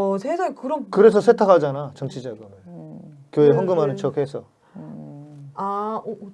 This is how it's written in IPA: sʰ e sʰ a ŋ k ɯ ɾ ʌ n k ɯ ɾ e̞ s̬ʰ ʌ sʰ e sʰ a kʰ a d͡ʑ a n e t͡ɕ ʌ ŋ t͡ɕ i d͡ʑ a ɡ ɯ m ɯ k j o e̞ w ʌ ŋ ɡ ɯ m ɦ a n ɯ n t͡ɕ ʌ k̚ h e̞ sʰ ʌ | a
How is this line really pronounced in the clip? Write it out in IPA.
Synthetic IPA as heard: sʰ e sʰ a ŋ k ɯ ɾ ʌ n k ɯ ɾ e̞ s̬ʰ ʌ sʰ e tʰ a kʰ a d͡ʑ a n a t͡ɕ ʌ ŋ t͡ɕʰ i d͡ʑ a ɡ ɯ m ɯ k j o e̞ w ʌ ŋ ɡ ɯ m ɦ a n ɯ n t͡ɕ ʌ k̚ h e̞ sʰ ʌ | a